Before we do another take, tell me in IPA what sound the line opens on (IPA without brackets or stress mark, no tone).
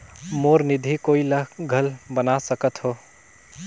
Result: m